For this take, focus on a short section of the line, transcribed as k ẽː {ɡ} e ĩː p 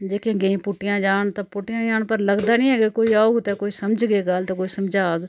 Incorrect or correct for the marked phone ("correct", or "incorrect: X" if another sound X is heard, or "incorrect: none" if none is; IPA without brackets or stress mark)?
correct